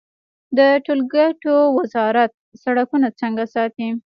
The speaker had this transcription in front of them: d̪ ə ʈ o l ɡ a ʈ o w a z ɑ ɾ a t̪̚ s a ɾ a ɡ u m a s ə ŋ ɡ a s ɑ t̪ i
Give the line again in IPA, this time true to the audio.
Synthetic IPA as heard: d̪ ə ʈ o l ɡ a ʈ o w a z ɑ ɾ a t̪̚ s a ɽ a k u n a t͡s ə ŋ ɡ a s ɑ t̪ i